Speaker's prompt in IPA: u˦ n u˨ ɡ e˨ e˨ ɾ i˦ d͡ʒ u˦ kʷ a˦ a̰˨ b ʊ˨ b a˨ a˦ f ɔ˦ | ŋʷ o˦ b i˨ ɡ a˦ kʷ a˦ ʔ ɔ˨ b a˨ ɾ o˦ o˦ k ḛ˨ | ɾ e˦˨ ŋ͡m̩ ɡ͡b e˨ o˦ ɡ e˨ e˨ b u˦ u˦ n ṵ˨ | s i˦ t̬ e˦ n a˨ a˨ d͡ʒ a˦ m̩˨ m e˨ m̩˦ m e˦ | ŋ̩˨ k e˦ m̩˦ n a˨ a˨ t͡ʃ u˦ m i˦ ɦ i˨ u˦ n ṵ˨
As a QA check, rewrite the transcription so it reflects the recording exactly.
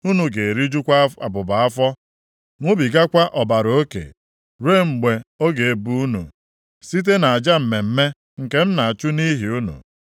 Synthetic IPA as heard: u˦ n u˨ ɡ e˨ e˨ ɾ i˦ d͡ʒ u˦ kʷ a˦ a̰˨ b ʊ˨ b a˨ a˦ f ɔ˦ | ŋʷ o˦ b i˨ ɡ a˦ kʷ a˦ ʔ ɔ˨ b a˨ ɾ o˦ o˦ k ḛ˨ | ɾ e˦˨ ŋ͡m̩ ɡ͡b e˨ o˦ ɡ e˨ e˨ b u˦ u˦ n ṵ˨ | s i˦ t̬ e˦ n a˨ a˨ d͡ʒ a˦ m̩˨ m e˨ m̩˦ m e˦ | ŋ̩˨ k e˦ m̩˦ n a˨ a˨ t͡ʃ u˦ n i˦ ɦ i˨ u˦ n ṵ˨